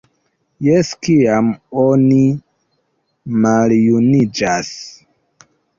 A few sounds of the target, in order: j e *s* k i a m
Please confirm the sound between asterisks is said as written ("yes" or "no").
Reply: yes